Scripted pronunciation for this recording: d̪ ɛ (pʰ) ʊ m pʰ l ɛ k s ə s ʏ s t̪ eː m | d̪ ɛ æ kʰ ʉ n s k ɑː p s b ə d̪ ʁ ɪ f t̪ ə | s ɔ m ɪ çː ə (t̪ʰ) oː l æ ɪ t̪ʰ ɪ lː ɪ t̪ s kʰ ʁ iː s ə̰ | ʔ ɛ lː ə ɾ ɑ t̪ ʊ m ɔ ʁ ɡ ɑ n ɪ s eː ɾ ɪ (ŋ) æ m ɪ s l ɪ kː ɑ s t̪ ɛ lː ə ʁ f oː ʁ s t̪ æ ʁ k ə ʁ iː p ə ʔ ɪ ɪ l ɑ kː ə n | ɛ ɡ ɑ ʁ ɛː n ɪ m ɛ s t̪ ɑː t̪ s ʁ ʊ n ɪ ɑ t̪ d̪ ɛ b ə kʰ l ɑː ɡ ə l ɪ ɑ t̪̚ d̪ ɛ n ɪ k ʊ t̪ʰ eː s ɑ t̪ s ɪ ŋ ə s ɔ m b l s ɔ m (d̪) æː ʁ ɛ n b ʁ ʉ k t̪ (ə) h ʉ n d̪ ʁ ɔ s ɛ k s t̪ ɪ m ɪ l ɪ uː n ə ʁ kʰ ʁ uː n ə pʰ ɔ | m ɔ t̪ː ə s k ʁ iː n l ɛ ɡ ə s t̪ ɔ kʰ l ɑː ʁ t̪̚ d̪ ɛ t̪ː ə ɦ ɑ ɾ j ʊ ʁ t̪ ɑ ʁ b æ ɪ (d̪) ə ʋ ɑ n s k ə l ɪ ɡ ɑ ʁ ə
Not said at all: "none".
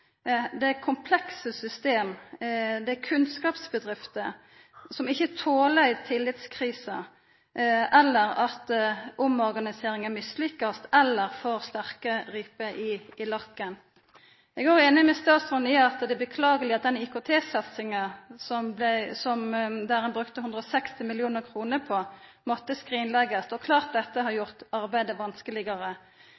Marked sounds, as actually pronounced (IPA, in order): kʰ, t̪ʰ, ŋ, d̪, ə, d̪

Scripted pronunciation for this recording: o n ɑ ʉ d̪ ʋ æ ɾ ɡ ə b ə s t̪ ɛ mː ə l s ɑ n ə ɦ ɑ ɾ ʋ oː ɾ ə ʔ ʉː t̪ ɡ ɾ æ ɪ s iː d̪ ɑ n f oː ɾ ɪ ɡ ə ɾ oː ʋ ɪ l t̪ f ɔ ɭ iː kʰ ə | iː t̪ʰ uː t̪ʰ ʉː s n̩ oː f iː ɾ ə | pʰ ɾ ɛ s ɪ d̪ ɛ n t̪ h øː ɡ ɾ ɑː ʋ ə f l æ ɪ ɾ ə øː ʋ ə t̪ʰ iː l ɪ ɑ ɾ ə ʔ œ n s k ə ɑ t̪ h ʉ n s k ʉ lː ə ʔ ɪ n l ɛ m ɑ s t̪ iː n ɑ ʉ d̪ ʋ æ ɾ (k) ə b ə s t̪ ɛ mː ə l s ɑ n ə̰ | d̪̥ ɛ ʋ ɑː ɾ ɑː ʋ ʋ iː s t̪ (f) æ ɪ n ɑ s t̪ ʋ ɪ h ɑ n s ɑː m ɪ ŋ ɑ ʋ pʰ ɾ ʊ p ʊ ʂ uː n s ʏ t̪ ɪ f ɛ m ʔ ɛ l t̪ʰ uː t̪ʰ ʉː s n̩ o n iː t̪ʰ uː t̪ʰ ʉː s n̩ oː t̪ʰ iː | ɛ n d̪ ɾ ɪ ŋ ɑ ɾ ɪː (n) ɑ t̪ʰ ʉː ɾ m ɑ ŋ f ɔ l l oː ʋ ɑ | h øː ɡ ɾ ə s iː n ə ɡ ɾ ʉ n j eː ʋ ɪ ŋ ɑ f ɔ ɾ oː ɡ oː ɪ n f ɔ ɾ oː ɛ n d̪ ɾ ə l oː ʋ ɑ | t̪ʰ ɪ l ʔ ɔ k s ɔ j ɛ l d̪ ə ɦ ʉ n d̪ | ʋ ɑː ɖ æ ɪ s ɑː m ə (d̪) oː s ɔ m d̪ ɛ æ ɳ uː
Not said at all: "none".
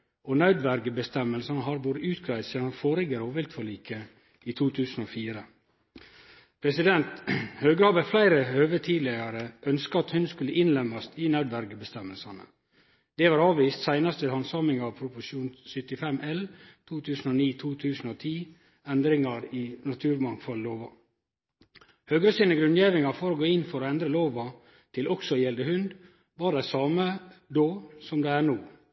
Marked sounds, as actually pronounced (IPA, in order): ɡ, s, n, d̪

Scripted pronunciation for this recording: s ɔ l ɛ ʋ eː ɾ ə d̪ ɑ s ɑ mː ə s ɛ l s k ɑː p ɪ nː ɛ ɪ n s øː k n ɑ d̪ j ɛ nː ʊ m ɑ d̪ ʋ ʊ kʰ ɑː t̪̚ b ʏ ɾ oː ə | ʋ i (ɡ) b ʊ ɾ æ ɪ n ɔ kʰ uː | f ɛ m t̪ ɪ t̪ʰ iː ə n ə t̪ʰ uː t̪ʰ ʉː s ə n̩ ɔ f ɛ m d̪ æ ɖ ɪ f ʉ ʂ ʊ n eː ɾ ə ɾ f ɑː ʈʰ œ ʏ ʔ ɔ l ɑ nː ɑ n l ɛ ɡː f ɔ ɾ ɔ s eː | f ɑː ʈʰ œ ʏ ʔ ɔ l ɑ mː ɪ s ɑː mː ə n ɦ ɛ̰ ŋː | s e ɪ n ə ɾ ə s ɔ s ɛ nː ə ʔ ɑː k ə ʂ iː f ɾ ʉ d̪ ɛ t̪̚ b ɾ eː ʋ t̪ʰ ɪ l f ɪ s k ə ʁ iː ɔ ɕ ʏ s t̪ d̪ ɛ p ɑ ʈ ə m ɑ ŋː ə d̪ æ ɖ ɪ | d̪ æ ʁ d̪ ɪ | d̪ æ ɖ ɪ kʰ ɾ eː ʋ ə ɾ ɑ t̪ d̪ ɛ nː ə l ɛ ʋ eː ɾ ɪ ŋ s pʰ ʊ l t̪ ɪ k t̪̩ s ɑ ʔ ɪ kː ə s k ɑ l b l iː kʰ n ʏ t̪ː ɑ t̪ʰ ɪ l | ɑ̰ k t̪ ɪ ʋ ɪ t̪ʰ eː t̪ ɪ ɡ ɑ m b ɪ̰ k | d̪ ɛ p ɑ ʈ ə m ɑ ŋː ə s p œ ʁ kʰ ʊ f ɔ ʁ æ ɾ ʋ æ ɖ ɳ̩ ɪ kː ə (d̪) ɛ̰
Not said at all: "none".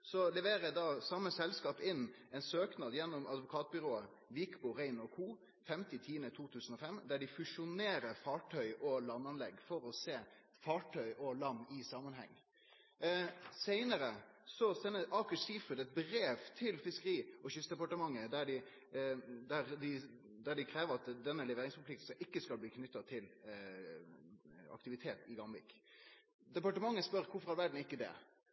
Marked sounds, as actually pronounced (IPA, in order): k, d̪

